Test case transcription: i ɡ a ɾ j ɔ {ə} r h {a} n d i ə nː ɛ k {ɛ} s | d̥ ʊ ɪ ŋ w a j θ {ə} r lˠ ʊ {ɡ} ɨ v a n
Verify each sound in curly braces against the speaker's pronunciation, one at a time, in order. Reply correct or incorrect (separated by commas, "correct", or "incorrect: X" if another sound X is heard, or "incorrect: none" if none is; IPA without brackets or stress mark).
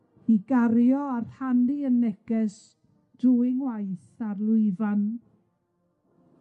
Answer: incorrect: a, correct, correct, incorrect: a, incorrect: none